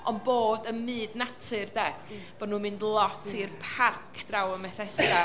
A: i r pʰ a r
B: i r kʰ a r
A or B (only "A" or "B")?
A